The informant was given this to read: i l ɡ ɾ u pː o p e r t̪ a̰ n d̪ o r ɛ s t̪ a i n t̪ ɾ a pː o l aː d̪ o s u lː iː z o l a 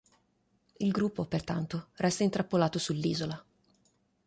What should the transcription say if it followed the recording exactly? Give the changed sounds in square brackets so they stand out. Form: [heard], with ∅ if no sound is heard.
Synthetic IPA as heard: i l ɡ ɾ u pː o p e r t̪ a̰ n [t̪] o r ɛ s t̪ a i n t̪ ɾ a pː o l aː [t̪] o s u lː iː z o l a